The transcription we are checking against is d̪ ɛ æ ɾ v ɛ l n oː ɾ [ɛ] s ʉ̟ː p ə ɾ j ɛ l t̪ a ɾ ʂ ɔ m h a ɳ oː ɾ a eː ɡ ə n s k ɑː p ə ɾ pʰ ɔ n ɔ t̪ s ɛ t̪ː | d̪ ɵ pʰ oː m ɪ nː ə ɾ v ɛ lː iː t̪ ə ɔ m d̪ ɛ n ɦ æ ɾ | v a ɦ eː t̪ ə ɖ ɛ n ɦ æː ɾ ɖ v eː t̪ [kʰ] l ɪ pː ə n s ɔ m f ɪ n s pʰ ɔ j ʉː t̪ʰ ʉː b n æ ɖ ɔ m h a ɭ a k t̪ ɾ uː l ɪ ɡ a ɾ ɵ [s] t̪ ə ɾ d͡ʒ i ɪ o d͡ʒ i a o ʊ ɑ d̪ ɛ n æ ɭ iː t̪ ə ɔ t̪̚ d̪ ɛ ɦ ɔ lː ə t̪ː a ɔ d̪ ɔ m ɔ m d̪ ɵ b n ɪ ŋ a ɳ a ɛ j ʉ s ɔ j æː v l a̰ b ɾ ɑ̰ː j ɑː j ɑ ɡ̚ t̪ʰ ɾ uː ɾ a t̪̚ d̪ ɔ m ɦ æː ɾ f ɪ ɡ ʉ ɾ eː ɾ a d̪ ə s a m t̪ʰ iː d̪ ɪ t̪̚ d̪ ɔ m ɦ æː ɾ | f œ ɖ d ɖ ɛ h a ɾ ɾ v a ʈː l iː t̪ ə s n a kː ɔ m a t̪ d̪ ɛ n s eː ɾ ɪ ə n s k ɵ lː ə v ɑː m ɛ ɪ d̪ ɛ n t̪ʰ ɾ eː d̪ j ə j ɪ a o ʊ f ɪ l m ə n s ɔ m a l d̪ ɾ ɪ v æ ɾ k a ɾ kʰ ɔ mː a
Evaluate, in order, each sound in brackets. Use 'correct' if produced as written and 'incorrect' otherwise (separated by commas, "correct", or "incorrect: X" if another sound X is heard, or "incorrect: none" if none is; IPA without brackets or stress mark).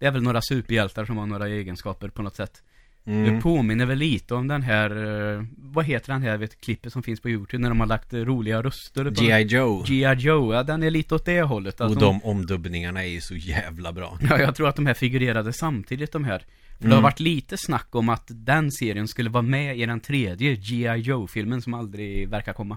incorrect: a, correct, correct